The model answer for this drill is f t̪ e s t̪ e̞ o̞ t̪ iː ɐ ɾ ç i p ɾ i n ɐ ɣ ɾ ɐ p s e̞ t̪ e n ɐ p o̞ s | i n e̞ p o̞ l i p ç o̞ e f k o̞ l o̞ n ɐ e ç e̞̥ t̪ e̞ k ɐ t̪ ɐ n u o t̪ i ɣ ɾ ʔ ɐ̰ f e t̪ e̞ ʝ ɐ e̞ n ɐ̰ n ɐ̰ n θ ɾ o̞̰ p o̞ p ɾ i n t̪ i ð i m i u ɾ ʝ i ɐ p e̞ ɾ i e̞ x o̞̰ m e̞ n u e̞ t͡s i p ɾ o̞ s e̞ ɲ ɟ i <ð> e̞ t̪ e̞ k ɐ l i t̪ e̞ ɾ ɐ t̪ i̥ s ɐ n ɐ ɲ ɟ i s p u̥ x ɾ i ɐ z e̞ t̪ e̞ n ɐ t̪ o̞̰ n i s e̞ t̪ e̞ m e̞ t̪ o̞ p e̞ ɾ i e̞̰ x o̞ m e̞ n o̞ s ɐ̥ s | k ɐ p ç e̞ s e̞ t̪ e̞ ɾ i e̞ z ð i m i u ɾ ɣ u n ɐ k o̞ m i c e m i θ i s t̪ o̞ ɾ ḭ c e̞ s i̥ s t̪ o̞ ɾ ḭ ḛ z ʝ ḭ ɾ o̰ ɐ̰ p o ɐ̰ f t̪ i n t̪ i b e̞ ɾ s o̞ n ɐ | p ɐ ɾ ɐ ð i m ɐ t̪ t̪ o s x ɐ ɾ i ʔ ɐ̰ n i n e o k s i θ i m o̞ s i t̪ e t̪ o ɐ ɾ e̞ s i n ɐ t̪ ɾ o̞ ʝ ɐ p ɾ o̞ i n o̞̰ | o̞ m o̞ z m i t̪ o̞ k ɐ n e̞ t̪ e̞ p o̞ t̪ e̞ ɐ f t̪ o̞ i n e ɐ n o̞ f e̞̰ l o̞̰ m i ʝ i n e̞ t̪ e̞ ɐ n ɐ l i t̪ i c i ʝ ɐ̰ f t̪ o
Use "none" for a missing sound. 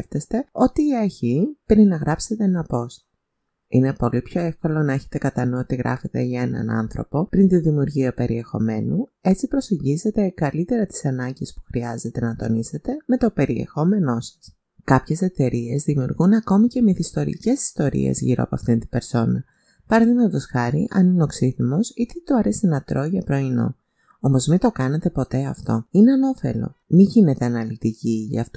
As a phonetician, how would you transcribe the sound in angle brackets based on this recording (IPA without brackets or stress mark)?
z